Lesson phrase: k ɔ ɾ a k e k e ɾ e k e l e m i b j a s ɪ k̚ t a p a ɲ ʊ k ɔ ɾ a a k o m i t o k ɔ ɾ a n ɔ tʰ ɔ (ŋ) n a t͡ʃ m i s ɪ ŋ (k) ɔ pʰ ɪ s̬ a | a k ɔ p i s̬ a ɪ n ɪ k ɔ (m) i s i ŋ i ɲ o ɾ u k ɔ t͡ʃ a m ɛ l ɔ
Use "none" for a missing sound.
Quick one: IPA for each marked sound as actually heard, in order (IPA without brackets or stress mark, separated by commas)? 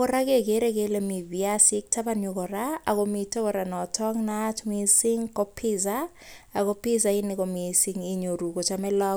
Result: ŋ, k, m